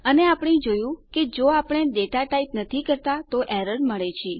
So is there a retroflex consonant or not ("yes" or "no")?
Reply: yes